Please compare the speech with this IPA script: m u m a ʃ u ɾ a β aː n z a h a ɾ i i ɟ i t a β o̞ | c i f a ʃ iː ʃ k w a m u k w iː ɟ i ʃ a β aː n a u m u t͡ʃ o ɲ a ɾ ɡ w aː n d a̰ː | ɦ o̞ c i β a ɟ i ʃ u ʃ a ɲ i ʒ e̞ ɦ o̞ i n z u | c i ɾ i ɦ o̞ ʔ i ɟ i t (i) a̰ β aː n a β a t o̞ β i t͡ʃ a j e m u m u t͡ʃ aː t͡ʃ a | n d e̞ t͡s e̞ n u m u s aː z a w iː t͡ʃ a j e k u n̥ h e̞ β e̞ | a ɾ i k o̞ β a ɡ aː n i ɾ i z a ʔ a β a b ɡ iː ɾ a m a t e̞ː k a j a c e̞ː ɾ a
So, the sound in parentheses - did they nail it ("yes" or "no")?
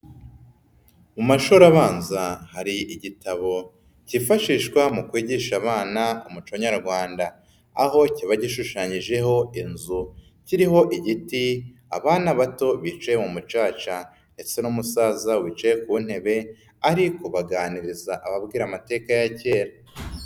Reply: yes